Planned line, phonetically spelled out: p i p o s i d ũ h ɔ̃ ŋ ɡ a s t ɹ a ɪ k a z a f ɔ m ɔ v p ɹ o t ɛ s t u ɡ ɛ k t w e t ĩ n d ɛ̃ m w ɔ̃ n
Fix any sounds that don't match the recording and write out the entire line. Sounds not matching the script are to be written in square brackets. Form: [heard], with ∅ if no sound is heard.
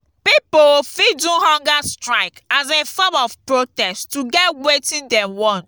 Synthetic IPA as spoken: p i p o [f] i d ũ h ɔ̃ ŋ ɡ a s t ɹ a ɪ k a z [e] f ɔ m ɔ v p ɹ o t ɛ s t u ɡ ɛ [∅] t w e t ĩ n d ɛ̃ m w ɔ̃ n

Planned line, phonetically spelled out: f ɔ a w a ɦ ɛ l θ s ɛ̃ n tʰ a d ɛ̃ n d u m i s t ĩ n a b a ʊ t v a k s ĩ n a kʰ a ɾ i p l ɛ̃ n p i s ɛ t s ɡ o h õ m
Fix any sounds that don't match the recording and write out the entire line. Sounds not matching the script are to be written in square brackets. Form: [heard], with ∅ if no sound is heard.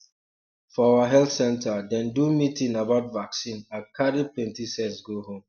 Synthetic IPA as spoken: f ɔ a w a ɦ ɛ l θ s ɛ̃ n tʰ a d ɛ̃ n d u m i [∅] t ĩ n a b a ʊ t v a k s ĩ n a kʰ a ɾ i p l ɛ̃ n [t] i s ɛ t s ɡ o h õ m

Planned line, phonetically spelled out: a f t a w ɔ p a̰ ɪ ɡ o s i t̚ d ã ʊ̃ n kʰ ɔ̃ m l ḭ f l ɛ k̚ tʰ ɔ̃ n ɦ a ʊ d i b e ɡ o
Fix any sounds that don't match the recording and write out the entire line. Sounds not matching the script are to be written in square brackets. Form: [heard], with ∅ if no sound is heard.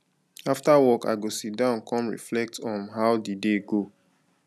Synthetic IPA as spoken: a f t a w ɔ [k] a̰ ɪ ɡ o s i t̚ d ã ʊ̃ n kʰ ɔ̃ m [ɹ] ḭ f l ɛ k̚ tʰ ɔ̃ n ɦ a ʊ d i [d] e ɡ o

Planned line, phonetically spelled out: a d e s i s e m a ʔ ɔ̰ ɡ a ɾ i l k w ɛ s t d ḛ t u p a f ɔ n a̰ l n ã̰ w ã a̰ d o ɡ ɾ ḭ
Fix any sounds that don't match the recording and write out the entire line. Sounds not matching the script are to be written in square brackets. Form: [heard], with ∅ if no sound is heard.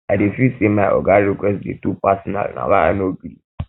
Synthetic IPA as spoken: a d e [f] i s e m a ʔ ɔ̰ ɡ a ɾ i [∅] k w ɛ s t d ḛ t u p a [s] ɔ n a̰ l n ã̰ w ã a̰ [n] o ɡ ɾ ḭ

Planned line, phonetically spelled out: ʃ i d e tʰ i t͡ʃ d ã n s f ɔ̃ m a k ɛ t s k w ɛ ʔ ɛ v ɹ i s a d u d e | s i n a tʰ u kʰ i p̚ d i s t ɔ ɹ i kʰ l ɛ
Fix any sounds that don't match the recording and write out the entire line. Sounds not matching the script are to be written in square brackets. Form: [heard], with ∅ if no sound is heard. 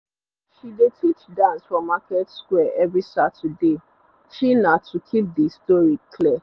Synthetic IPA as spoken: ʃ i d e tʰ i t͡ʃ d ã n s f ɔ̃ m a k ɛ t s k w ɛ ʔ ɛ v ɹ i s a [t] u d e | [ʃ] i n a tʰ u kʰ i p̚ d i s t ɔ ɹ i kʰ l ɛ

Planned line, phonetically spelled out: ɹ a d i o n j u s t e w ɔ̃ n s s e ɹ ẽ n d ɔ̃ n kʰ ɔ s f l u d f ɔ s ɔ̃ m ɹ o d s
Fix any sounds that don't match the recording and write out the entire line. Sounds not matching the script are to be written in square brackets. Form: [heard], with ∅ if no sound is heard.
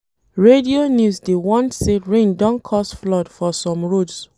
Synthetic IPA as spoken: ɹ [e] d i o n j u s [d] e w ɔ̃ n [t] s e ɹ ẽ n d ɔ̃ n kʰ ɔ s f l [ɔ] d f ɔ s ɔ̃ m ɹ o d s

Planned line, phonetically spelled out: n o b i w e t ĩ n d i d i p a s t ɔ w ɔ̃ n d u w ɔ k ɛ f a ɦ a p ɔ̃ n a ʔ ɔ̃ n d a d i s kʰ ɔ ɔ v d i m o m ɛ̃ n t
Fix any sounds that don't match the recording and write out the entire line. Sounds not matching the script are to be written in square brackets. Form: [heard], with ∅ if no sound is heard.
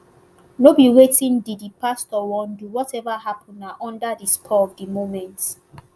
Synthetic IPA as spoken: n o b i w e t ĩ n d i d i p a s t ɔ w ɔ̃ n d u w ɔ [t] ɛ [v] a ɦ a p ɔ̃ n a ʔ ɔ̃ n d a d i s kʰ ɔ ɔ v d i m o m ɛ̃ n t

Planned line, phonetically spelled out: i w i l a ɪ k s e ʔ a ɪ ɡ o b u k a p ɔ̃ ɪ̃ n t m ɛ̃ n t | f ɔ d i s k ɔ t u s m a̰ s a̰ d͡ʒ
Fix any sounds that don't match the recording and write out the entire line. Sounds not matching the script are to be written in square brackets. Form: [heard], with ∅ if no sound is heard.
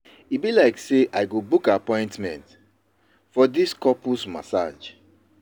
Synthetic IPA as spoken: i [b] i l a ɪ k s e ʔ a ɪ ɡ o b u k a p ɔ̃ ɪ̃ n t m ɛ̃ n t | f ɔ d i s k ɔ [p] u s m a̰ s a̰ d͡ʒ

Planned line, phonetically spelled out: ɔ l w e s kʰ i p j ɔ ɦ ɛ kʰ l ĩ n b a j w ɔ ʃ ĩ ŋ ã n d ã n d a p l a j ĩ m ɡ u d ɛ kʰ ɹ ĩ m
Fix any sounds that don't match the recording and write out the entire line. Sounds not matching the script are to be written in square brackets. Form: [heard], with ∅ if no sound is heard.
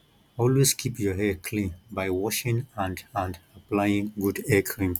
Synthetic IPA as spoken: ɔ l w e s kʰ i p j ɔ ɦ ɛ kʰ l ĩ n b a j w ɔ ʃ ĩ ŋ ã n d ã n d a p l a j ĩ [ŋ] ɡ u d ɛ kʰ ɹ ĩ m

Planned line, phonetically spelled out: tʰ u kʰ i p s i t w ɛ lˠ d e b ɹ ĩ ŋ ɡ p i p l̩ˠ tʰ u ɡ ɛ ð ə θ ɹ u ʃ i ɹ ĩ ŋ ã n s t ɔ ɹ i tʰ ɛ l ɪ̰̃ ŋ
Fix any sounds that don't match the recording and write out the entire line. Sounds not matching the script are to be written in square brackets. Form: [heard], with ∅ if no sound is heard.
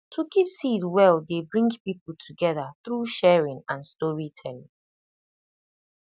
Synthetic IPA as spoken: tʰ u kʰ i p s i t w ɛ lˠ d e b ɹ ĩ ŋ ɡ p i p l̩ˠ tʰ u ɡ ɛ ð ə θ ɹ u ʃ [ɛ] ɹ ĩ ŋ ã n s t ɔ ɹ i tʰ ɛ l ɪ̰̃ ŋ

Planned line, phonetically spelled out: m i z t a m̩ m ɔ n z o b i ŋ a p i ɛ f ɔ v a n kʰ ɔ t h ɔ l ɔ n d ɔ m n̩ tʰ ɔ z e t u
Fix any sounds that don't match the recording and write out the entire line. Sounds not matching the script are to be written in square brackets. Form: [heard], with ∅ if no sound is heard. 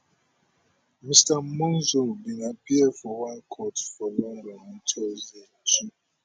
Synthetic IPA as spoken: m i [s] t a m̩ m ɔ n z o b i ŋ a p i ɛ f ɔ [w] a n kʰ ɔ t [f] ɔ l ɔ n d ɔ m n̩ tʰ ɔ z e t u

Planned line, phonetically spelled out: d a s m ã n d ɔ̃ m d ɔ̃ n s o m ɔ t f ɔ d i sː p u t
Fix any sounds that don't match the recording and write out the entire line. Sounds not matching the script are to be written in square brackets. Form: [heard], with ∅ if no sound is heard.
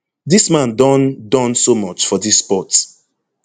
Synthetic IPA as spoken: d [i] s m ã n d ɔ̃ [n] d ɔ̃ n s o m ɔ [t͡ʃ] f ɔ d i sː p [ɔ] t

